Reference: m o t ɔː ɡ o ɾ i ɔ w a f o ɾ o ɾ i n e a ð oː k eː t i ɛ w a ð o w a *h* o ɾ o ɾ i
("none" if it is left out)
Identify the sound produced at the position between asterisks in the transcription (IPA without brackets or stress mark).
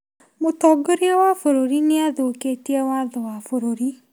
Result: f